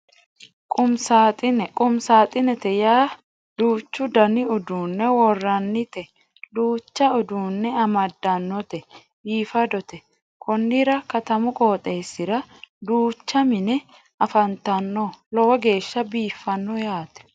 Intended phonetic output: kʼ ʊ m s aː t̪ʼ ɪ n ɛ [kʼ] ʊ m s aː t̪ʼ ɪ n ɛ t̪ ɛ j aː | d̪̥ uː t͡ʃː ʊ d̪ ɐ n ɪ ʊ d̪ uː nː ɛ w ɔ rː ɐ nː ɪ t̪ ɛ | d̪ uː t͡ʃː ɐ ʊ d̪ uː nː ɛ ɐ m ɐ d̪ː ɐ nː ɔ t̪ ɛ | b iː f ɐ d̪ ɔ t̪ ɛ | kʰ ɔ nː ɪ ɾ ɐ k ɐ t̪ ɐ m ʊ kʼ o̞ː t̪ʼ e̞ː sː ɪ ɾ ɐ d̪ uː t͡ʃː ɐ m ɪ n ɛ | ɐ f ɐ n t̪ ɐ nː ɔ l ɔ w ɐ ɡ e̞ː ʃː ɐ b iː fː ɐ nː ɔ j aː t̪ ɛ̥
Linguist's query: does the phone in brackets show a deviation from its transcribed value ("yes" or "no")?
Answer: no